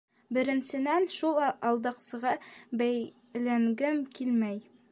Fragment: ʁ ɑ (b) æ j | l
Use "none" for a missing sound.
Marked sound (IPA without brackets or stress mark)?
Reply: b